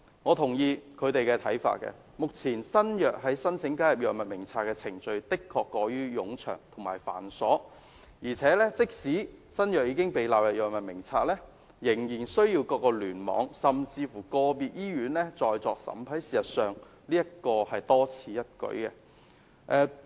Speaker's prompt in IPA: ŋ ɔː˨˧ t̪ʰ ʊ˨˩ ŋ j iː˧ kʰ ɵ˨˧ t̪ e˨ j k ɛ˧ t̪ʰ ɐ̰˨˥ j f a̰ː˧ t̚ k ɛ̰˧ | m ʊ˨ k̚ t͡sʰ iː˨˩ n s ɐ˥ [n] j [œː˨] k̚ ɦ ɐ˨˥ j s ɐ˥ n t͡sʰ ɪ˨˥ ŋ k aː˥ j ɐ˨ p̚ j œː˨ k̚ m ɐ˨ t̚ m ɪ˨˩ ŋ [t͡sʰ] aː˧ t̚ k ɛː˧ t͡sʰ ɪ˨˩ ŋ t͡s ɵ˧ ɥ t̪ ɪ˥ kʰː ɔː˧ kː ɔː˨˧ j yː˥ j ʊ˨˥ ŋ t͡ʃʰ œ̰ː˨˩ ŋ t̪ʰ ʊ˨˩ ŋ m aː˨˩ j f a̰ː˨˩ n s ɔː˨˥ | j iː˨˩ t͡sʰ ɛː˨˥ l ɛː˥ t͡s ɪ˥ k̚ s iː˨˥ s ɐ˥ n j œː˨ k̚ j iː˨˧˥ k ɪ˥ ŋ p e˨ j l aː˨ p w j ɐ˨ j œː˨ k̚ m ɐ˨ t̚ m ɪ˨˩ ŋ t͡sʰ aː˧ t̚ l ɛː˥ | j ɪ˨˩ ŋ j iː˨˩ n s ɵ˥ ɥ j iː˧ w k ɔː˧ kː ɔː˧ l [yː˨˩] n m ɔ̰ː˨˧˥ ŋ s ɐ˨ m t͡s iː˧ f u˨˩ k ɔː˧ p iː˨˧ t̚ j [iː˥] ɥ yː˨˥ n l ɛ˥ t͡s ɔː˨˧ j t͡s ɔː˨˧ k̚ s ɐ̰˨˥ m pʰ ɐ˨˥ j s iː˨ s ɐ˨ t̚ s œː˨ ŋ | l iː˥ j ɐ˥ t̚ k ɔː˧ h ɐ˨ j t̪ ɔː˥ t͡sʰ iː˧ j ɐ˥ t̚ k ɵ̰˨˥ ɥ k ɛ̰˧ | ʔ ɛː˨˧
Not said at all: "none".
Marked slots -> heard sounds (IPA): n, œː˨, t͡sʰ, yː˨˩, iː˥

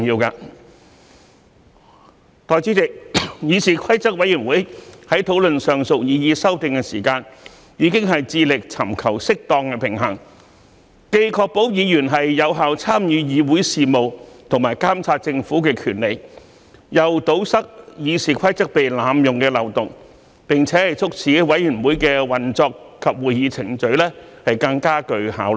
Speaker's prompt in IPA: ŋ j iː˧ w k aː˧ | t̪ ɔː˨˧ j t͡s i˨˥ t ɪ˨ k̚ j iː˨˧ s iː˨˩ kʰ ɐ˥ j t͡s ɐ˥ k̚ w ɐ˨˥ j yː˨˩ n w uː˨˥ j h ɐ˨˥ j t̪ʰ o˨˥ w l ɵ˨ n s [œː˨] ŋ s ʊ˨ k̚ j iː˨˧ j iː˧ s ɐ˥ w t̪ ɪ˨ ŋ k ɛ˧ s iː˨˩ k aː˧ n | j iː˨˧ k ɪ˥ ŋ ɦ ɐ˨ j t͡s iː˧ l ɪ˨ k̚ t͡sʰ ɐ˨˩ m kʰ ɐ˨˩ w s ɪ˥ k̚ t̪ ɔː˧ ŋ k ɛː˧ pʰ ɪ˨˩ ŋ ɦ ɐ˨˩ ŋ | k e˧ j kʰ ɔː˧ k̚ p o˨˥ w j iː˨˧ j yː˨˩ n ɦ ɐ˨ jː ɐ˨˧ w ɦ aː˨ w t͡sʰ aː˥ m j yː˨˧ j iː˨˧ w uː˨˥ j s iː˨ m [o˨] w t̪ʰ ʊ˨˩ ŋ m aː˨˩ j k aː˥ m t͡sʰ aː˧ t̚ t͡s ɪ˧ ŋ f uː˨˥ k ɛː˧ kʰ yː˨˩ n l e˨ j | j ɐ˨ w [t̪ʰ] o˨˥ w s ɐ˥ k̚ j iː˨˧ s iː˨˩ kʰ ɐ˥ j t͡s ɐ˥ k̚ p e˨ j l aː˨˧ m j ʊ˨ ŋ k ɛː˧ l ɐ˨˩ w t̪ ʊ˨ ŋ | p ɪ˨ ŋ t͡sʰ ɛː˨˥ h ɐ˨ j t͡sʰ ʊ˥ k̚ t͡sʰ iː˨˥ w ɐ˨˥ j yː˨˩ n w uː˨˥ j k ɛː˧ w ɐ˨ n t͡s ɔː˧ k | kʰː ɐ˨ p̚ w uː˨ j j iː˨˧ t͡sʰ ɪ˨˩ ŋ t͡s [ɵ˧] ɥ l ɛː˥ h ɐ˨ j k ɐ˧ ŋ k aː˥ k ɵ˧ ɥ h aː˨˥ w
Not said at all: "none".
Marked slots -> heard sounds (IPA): œː˨, o˨, t̪, ɵ˨˥

